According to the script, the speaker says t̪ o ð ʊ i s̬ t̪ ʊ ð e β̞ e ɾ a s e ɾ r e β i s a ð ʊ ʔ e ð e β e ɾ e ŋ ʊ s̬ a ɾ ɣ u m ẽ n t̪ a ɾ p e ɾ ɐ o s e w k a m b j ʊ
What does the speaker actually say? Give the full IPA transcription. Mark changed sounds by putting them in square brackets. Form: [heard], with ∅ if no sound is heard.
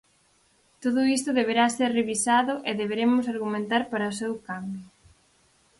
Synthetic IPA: t̪ o ð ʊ i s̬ t̪ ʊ ð e β̞ e ɾ a s e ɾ r e β i s a ð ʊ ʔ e ð e β e ɾ e [m] ʊ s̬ a ɾ ɣ u m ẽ n t̪ a ɾ p [a] ɾ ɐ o s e w k a m b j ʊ